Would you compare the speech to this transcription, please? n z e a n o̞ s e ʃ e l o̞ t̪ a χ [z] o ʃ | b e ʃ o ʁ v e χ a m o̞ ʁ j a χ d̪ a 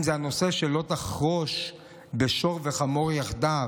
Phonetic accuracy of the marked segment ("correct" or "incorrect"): incorrect